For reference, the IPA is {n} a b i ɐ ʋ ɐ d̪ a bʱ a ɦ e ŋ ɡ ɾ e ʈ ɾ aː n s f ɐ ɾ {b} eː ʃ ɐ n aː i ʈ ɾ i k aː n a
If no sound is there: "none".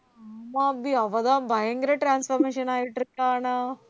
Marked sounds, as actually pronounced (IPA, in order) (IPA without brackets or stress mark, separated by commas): m, m